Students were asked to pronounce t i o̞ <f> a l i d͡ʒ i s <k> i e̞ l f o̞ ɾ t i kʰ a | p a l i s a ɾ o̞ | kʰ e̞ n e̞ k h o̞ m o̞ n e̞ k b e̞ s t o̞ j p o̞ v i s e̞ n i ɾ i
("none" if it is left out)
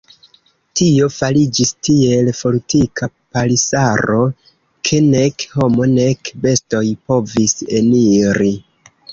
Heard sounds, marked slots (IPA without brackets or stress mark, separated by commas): f, t